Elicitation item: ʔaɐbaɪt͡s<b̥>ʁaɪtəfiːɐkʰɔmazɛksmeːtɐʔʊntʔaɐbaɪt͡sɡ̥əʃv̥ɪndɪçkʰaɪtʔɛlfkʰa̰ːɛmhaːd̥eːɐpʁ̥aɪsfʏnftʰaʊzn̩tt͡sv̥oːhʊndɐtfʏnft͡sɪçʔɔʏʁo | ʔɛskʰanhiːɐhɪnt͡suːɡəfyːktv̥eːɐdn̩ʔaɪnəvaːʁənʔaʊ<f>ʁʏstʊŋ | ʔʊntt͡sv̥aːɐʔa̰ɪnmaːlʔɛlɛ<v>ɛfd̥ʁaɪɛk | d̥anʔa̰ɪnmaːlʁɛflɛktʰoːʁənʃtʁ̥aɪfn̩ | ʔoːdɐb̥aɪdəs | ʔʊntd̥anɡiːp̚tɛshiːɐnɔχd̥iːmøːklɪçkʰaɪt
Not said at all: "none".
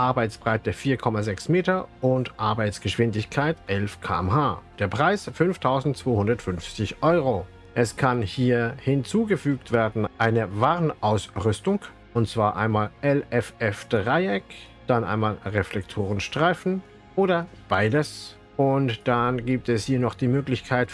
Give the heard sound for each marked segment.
b̥, s, f

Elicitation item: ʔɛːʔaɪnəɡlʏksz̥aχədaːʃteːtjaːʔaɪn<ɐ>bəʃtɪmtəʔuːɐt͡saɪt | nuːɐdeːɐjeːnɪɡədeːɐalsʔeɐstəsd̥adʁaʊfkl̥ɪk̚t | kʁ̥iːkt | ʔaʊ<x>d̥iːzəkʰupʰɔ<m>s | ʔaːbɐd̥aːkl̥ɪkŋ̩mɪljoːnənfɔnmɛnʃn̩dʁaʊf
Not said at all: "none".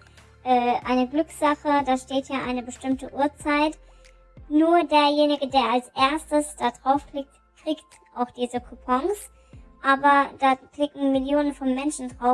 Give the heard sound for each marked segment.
ə, x, ŋ

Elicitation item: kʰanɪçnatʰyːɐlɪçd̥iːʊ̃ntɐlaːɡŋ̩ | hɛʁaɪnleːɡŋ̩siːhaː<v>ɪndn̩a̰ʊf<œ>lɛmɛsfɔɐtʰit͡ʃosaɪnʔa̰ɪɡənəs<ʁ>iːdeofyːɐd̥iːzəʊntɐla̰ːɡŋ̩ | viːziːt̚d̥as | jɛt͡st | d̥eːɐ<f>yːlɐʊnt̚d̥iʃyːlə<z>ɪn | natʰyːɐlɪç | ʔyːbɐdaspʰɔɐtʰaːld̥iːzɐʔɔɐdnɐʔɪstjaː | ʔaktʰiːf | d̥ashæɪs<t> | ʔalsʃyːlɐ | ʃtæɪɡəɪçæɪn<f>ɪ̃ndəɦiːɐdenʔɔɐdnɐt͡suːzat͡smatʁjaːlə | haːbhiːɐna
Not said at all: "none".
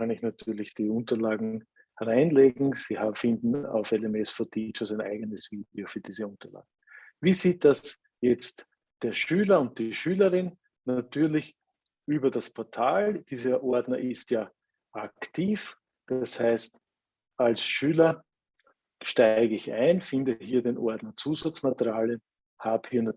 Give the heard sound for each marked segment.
f, ɛ, v, ʃ, ʁ, t, f

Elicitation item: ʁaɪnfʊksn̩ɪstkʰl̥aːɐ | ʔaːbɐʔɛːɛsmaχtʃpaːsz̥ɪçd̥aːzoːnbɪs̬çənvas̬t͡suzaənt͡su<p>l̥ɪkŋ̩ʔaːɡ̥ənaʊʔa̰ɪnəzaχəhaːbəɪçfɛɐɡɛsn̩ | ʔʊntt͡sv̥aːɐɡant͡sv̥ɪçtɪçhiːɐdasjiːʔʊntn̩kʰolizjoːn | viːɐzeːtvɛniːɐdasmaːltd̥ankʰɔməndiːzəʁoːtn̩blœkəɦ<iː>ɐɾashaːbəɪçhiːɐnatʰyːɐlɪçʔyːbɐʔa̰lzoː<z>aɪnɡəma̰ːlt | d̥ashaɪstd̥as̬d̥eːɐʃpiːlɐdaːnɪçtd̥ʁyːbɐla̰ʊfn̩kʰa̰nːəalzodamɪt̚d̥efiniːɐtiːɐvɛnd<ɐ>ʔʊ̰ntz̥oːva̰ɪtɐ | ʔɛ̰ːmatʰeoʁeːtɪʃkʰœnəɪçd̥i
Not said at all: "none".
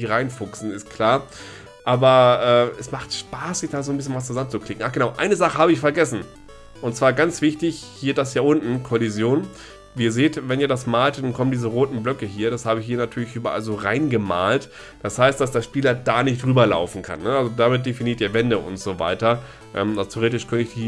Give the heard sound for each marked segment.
k, iː, ʁ, ə

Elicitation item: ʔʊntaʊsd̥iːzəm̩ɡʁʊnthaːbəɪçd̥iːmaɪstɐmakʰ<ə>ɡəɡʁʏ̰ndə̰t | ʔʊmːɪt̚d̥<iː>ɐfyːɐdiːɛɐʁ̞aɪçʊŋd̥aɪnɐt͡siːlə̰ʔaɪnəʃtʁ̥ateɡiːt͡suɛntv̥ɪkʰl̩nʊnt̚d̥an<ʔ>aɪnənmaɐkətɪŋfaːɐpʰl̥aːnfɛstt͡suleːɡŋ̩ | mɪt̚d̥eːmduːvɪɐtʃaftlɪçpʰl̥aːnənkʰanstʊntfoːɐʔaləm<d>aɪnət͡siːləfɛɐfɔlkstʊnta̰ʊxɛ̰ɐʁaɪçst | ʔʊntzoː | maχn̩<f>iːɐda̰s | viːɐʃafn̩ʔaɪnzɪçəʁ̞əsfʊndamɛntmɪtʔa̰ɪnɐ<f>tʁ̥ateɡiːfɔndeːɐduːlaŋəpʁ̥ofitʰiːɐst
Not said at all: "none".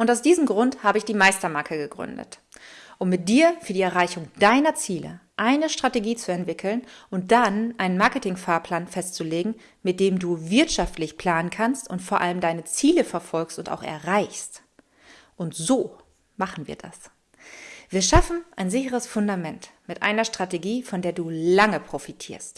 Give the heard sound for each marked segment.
ə, iː, ʔ, d, v, ʃ

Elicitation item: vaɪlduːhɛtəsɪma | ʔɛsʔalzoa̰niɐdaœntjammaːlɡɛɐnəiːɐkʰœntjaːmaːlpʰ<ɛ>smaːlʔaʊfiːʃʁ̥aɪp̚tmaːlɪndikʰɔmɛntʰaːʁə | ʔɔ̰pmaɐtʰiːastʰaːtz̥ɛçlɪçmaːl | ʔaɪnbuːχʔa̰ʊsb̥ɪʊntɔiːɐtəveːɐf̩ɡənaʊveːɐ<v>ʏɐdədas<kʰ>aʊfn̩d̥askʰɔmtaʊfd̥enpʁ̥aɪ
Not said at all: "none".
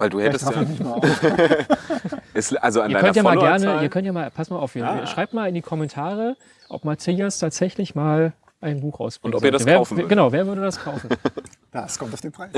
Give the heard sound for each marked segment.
a, v, kʰ

